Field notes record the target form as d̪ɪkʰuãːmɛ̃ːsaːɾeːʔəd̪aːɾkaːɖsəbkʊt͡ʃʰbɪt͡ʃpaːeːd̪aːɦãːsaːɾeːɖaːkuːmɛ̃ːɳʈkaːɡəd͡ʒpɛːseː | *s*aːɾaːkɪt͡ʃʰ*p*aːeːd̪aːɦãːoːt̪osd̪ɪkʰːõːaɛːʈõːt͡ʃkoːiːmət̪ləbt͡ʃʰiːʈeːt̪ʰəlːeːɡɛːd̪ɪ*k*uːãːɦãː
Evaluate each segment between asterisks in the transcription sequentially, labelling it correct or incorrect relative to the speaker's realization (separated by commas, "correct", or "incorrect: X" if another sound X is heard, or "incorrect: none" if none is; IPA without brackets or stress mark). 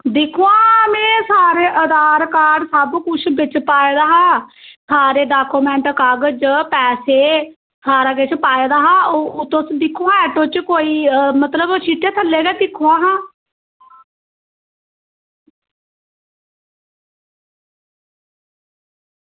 correct, correct, incorrect: kʰ